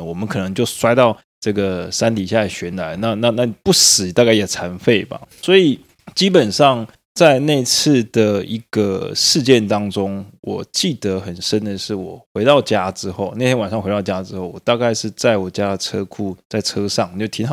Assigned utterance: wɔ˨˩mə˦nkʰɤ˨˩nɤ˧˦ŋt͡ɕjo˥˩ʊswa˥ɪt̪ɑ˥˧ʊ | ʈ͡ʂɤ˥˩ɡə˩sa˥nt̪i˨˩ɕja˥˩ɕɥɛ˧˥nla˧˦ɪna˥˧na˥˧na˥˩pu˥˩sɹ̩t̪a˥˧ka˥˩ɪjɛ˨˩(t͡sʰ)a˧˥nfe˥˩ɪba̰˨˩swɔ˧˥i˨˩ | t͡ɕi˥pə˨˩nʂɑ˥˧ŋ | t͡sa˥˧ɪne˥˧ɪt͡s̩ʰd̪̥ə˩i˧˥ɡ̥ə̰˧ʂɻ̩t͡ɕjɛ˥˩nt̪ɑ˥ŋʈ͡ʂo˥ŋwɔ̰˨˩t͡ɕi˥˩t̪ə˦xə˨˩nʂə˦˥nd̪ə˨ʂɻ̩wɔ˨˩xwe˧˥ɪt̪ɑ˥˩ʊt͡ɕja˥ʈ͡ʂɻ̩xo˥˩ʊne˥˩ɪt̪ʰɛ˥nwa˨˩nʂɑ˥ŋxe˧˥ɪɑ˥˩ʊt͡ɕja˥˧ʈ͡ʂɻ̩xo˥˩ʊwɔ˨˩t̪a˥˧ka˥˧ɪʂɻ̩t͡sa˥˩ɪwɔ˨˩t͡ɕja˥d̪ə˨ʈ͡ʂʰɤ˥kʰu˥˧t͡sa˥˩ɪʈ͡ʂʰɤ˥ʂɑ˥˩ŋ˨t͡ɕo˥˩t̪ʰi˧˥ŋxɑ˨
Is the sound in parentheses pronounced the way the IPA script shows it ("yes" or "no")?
yes